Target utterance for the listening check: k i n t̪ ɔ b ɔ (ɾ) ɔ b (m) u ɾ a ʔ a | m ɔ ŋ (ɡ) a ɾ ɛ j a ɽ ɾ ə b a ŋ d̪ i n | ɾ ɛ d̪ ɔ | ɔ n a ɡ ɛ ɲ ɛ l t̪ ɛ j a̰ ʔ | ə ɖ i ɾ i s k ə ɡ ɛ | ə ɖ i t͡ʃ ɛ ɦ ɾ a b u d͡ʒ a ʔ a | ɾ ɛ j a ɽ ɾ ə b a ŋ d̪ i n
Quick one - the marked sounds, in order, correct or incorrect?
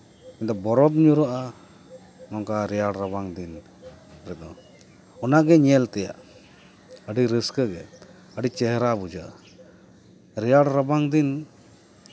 correct, incorrect, incorrect

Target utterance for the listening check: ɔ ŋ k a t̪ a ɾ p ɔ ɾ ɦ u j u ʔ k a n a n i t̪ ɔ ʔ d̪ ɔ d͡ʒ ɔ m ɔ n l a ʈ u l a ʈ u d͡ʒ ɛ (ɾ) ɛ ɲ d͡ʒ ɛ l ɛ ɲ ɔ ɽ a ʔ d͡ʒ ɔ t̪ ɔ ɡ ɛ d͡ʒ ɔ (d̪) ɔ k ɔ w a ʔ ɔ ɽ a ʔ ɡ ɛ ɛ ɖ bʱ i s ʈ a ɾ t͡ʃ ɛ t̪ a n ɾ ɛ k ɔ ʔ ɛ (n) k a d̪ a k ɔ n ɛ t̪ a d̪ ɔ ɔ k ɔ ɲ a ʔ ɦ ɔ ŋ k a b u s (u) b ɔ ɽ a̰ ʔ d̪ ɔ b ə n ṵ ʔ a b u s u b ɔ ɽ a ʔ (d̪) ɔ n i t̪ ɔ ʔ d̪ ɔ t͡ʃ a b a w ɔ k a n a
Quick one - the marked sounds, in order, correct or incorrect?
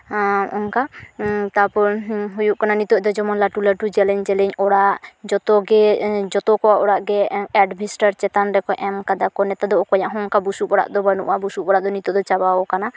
incorrect, incorrect, incorrect, correct, correct

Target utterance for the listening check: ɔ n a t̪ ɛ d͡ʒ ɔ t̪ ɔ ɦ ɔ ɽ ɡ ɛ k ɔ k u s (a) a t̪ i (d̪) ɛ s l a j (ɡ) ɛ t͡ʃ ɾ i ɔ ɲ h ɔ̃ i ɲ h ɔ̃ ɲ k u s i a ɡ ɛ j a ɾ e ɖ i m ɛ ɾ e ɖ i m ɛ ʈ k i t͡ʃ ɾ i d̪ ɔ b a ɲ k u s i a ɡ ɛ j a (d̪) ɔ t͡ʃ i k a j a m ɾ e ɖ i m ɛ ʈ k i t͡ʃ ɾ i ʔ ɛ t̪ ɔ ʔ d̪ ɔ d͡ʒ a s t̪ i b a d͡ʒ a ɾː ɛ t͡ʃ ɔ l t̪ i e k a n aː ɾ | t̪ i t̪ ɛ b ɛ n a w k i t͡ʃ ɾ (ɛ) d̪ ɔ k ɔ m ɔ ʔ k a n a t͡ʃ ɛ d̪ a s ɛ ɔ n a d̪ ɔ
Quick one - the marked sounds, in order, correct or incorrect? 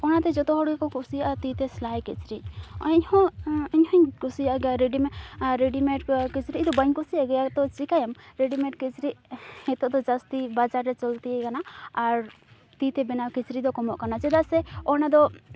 incorrect, incorrect, incorrect, incorrect, incorrect

